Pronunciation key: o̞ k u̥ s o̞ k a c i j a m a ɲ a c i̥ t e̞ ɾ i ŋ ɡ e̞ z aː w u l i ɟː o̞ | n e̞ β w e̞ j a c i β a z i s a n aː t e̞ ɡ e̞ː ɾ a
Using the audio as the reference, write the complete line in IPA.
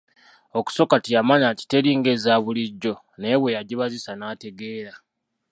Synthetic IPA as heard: o̞ k u̥ s o̞ k a t i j a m a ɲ a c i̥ t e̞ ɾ i ŋ ɡ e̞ z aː β u l i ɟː o̞ | n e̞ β w e̞ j a ɟ i β a z i s a n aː t e̞ ɡ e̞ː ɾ a